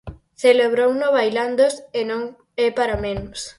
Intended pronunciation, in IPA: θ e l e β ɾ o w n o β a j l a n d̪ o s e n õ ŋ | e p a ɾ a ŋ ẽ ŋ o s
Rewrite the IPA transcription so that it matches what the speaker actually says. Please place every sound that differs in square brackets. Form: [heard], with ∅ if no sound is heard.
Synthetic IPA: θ e l e β ɾ o w n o β a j l a n d̪ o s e n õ ŋ | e p a ɾ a [m] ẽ [n] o s